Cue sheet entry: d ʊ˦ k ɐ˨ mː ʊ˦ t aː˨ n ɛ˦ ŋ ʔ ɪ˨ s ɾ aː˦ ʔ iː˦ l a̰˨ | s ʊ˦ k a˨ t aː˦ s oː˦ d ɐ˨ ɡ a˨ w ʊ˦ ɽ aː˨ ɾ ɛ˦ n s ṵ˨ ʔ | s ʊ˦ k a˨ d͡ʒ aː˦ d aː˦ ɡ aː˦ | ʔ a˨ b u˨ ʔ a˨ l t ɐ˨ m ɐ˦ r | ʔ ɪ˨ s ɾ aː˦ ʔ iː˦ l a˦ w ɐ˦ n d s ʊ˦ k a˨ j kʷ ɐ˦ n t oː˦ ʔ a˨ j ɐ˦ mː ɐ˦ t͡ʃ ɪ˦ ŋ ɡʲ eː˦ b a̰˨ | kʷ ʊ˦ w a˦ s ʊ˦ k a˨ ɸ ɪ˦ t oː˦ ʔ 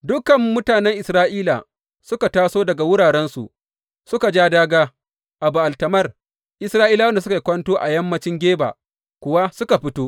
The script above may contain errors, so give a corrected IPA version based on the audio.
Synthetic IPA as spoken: d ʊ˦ k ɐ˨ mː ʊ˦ t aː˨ n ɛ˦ ŋ ʔ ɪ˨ s ɾ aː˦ ʔ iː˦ l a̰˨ | s ʊ˦ k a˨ t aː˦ s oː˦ d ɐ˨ ɡ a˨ w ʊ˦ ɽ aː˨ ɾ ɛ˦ n s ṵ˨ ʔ | s ʊ˦ k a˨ d͡ʒ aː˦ d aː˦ ɡ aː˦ | ʔ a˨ b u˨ ʔ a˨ l t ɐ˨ m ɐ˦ r | ʔ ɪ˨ s ɾ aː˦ ʔ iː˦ l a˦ w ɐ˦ n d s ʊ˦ k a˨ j kʷ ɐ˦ n t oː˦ ʔ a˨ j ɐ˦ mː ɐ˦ t͡ʃ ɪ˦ ŋ ɡʲ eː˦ b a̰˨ | kʷ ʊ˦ w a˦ s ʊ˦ k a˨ ɸ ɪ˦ t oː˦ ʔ